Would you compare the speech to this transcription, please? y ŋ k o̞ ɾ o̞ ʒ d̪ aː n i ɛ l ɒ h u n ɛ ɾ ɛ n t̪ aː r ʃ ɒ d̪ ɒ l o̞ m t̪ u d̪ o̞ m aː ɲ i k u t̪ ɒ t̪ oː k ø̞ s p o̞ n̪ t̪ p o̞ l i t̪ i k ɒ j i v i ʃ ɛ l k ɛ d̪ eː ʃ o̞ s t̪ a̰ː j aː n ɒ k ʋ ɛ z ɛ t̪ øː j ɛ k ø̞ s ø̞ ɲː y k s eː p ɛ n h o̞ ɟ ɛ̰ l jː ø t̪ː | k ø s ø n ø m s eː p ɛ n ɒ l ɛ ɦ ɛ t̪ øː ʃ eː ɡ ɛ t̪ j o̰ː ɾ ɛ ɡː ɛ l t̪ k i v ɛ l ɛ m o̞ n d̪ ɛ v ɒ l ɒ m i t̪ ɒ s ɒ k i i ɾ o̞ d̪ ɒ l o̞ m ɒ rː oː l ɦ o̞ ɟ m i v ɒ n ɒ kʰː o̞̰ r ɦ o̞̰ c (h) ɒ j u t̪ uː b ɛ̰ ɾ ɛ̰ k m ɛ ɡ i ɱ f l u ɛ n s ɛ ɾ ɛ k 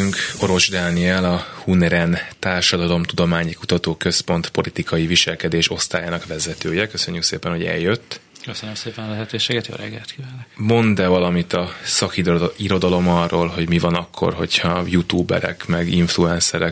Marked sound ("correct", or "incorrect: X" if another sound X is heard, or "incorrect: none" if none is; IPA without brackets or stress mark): correct